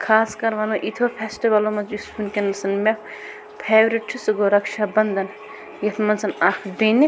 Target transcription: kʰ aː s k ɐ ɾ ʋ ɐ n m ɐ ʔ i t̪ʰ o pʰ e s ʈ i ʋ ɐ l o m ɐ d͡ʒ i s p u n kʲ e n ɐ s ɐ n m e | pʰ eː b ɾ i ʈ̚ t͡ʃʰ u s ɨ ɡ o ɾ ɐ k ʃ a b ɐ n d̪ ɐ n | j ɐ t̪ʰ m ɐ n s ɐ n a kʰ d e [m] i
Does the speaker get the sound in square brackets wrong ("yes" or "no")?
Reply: yes